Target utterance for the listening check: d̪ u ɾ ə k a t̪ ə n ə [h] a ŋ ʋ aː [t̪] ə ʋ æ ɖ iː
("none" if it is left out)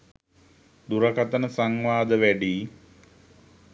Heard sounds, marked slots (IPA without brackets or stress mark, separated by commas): s, d̪